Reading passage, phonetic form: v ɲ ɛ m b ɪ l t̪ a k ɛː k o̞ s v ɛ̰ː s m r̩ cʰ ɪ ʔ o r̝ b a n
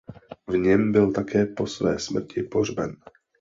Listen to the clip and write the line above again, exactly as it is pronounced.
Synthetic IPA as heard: v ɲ ɛ m b ɪ l t̪ a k ɛː p o̞ s v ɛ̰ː s m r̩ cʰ ɪ p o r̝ b ɛ n